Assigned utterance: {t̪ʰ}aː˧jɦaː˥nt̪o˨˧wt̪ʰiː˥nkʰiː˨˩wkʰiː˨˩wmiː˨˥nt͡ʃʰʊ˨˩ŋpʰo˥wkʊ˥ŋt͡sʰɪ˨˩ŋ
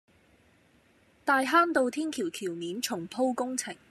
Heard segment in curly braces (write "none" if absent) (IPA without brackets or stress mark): t̪